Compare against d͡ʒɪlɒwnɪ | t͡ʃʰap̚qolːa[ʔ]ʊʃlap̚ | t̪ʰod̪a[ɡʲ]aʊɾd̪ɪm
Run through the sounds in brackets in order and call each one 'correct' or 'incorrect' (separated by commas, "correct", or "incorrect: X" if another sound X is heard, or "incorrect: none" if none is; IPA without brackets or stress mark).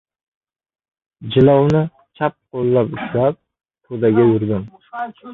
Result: incorrect: p, correct